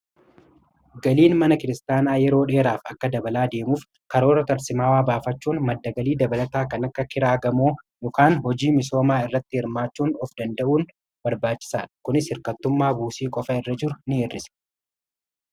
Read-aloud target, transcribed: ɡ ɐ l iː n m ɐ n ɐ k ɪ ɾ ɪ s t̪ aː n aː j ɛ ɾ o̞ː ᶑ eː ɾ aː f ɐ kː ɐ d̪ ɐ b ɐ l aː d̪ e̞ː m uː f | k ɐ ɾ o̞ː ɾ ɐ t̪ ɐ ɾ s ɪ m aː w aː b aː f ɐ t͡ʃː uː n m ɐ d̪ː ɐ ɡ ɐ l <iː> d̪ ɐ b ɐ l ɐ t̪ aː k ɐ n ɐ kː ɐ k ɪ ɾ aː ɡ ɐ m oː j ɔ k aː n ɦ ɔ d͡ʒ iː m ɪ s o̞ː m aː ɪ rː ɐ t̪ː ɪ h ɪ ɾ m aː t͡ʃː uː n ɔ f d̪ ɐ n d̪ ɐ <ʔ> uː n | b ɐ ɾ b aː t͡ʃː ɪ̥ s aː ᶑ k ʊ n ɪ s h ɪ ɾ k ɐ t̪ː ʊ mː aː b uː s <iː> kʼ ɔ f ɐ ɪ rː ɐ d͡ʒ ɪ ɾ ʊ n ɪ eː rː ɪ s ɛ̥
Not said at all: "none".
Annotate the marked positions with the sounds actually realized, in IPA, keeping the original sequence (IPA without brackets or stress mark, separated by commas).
iː, ʔ, iː